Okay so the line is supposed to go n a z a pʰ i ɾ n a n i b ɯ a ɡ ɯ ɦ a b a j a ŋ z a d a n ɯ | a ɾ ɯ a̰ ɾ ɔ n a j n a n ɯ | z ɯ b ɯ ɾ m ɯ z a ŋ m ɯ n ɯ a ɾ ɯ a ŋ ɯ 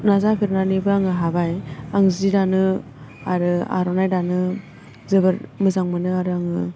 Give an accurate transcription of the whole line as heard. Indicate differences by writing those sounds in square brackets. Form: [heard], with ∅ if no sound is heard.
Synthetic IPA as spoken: n a z a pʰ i ɾ n a n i b ɯ a [ŋ] ɯ ɦ a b a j a ŋ z [i] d a n ɯ | a ɾ ɯ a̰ ɾ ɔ n a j [d] a n ɯ | z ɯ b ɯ ɾ m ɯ z a ŋ m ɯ n ɯ a ɾ ɯ a ŋ ɯ